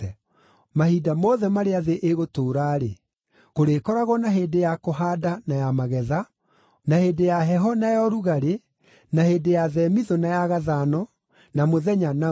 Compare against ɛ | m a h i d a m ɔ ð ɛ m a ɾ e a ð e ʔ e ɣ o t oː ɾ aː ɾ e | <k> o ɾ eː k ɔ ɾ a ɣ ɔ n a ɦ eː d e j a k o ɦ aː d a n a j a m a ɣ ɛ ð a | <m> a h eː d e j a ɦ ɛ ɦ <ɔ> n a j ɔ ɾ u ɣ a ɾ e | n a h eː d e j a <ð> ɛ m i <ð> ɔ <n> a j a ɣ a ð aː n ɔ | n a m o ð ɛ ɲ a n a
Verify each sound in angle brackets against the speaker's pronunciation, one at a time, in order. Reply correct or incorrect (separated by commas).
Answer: correct, incorrect, correct, correct, correct, correct